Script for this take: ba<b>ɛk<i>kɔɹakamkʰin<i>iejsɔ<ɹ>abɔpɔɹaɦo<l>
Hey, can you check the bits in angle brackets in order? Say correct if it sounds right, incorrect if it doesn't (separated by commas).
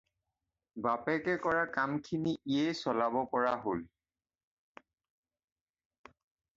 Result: incorrect, incorrect, correct, incorrect, correct